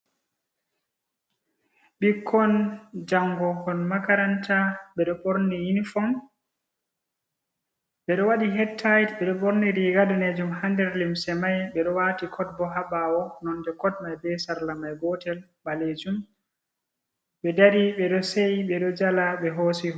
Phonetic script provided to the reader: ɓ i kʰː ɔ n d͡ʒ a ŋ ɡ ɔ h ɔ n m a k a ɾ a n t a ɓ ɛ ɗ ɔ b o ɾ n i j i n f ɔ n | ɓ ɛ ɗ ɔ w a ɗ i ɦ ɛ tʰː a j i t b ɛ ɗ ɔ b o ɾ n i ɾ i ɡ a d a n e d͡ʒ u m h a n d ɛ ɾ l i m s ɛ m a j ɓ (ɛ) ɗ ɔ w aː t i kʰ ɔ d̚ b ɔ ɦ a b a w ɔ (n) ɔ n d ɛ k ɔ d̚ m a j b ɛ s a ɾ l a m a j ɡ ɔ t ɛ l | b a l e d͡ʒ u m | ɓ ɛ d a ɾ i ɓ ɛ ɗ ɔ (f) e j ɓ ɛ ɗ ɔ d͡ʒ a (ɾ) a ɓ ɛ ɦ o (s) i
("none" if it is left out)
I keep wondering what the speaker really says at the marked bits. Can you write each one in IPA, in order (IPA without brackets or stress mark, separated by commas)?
ɛ, n, s, l, s